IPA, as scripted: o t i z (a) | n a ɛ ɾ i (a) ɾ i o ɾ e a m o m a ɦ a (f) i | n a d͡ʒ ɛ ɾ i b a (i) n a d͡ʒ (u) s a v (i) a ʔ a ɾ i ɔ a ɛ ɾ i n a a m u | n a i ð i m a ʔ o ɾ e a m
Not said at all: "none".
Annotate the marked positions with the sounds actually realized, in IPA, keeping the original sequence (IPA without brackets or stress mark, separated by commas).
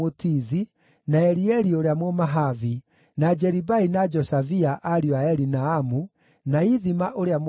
i, ɛ, v, i, ɔ, i